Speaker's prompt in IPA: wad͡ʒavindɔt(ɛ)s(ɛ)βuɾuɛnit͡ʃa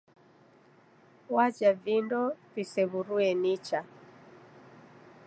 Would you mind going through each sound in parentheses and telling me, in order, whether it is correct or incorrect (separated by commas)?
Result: incorrect, correct